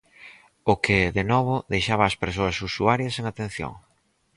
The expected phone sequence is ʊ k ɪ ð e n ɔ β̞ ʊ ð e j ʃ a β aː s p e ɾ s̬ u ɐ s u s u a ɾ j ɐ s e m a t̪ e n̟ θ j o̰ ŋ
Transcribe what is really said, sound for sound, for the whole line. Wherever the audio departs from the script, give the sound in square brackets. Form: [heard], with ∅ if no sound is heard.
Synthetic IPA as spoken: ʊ k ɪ ð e n ɔ β̞ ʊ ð e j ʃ a β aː s p e ɾ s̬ [o] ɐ s u s u a ɾ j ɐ s e [ŋ] a t̪ e n̟ θ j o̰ ŋ